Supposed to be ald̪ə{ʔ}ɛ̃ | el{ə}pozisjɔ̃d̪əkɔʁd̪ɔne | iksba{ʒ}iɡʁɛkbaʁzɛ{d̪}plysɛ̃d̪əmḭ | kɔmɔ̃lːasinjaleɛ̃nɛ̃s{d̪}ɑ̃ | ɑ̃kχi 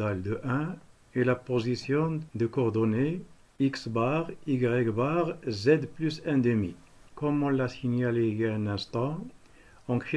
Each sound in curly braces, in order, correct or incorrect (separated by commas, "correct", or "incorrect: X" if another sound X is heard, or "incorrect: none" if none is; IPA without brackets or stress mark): correct, incorrect: a, incorrect: ʁ, correct, incorrect: t̪